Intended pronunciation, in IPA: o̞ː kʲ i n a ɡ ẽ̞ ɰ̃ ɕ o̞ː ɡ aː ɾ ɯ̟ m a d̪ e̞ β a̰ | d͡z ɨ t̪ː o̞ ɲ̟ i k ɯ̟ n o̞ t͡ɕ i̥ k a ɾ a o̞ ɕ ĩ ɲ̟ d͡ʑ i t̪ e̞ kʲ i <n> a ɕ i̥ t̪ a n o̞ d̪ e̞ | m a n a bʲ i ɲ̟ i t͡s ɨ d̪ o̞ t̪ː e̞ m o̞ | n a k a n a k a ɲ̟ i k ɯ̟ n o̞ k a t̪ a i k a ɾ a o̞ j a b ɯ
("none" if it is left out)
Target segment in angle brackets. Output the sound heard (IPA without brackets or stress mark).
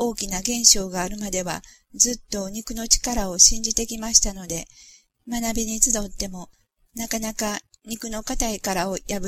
m